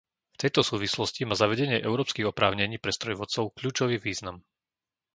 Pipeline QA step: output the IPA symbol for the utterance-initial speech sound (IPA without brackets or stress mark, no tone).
f